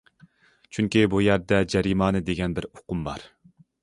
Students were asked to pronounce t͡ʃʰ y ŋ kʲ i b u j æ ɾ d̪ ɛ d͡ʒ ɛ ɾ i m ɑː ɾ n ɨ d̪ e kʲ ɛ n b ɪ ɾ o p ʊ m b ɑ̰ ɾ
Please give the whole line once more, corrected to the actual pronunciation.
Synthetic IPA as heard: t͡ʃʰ y ŋ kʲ i b u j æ ɾ d̪ ɛ d͡ʒ ɛ ɾ i m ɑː n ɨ d̪ e ɡʲ ɛ n b ɪ ɾ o q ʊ m b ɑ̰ ɾ